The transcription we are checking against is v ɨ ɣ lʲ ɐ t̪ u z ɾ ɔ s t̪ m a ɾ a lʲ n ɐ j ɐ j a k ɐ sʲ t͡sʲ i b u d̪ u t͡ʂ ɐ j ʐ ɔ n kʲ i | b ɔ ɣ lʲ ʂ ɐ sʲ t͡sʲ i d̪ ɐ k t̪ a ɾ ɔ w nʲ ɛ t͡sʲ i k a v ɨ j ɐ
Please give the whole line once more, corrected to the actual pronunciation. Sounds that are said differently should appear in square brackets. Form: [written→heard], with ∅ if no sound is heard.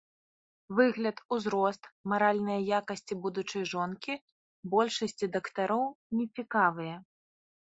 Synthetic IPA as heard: v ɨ ɣ lʲ ɐ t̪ u z ɾ ɔ s t̪ m a ɾ a lʲ n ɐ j ɐ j a k ɐ sʲ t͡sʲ i b u d̪ u t͡ʂ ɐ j ʐ ɔ n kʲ i | b ɔ [ɣ→∅] lʲ ʂ ɐ sʲ t͡sʲ i d̪ ɐ k t̪ a ɾ ɔ w nʲ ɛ t͡sʲ i k a v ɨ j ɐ